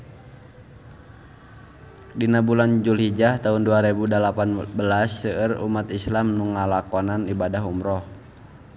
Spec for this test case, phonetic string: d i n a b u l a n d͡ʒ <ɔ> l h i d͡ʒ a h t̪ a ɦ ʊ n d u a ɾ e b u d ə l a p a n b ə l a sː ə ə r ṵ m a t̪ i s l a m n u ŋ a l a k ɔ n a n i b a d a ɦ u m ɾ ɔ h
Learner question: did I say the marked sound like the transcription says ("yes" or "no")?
no